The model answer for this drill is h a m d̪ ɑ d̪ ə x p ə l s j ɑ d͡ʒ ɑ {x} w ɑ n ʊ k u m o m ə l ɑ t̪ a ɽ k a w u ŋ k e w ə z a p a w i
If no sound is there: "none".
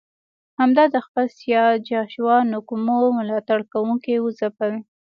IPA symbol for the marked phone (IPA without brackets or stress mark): ʃ